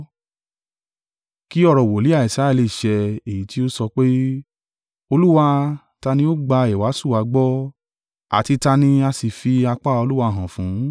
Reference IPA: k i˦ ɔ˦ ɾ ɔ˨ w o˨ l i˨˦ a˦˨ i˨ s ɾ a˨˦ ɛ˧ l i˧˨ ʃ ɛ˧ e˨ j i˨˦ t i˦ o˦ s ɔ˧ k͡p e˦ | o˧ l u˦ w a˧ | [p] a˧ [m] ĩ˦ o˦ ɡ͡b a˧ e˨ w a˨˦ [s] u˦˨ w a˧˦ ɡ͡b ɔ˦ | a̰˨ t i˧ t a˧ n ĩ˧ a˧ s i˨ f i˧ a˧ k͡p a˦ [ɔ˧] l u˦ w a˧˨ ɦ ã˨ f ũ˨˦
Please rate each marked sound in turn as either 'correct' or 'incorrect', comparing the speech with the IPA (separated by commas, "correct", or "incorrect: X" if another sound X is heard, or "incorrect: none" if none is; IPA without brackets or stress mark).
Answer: incorrect: t, incorrect: n, correct, incorrect: o˧